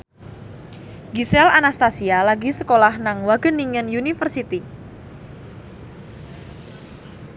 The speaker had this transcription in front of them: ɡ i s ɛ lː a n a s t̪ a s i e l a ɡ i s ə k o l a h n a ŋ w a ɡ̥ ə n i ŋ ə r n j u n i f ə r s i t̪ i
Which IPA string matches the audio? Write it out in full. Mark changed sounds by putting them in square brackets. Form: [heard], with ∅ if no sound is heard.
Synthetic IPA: ɡ i s ɛ [l] a n a s t̪ a s i [a] l a ɡ i s ə k o l a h n a ŋ w a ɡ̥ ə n i ŋ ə [∅] n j u n i f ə r s i t̪ i

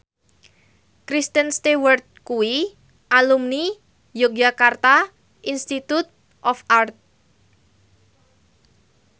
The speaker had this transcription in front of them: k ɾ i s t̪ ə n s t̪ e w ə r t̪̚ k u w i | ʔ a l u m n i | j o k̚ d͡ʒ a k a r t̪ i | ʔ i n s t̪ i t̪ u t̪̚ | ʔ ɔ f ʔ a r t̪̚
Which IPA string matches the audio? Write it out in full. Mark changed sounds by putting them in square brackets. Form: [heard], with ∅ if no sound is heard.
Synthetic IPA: k ɾ i s t̪ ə n s t̪ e w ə r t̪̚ k u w i | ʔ a l u m n i | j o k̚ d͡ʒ a k a r t̪ [a] | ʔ i n s t̪ i t̪ u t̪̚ | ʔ ɔ f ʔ a r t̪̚

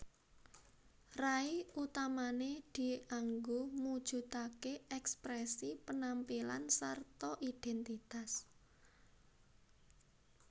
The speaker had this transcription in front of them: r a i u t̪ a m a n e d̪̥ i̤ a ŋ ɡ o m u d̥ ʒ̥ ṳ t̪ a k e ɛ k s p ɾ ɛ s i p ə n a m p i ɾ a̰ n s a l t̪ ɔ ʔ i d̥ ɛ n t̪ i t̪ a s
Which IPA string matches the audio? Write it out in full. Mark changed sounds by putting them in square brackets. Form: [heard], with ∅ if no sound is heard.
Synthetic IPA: r a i u t̪ a m a n e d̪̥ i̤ a ŋ ɡ o m u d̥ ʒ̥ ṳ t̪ a k e ɛ k s p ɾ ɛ s i p ə n a m p i [l] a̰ n s a [r] t̪ ɔ ʔ i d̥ ɛ n t̪ i t̪ a s

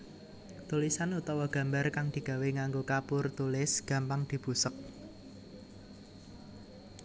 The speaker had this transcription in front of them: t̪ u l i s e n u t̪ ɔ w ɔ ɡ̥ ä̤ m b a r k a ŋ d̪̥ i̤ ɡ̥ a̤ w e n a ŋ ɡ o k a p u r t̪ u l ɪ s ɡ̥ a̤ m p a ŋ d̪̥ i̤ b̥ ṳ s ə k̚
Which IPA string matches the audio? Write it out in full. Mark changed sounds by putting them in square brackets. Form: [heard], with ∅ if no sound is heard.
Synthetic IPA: t̪ u l i s [a] n u t̪ ɔ w ɔ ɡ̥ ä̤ m b a r k a ŋ d̪̥ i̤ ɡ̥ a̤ w e [ŋ] a ŋ ɡ o k a p [ʊ] r t̪ u l ɪ s ɡ̥ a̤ m p a ŋ d̪̥ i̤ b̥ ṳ s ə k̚

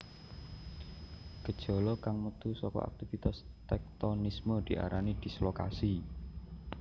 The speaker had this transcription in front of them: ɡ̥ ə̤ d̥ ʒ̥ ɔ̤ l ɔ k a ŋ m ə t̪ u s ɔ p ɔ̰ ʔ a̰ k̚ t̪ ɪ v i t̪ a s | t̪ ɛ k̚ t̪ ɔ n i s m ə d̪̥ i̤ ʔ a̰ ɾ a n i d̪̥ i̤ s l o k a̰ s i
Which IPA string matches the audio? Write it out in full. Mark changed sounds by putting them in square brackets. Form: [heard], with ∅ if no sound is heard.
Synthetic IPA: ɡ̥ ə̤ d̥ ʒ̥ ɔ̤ l ɔ k a ŋ m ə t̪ u s ɔ [k] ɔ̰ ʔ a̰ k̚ t̪ [i] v i t̪ a s | t̪ ɛ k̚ t̪ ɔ n i s m ə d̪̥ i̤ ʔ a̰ ɾ a n i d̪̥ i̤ s l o k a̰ s i

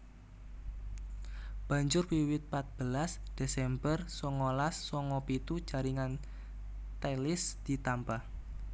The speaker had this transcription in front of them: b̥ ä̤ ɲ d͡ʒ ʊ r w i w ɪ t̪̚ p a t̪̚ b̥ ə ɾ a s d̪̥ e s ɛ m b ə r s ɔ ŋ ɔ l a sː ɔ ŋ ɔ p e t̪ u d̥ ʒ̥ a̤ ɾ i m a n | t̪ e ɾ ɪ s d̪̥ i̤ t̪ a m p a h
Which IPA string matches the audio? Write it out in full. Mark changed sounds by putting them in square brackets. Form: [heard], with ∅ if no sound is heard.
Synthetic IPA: b̥ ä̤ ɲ d͡ʒ ʊ r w i w ɪ t̪̚ p a t̪̚ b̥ ə [l] a s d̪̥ e s ɛ m b ə r s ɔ ŋ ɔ l a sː ɔ ŋ ɔ p [i] t̪ u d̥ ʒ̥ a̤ ɾ i [ŋ] a n | t̪ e [l] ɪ s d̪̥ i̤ t̪ a m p a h

